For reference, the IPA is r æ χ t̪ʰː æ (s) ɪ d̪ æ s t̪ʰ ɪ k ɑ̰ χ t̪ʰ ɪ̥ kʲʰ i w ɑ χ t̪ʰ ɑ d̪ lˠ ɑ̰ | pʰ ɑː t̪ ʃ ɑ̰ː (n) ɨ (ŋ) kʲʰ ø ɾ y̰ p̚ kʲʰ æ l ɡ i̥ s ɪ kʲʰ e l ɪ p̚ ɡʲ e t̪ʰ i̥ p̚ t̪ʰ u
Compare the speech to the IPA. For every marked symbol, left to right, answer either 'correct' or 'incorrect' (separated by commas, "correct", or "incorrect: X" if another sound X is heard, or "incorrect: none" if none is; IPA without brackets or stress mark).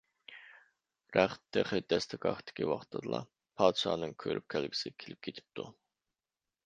incorrect: χ, correct, correct